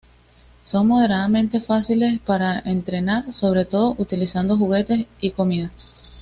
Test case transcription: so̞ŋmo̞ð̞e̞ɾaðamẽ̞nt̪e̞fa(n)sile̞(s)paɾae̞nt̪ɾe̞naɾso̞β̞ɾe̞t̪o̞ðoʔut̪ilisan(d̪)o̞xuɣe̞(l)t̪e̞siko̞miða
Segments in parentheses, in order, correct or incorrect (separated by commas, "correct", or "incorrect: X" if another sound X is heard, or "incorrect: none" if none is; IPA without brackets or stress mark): incorrect: none, correct, correct, incorrect: none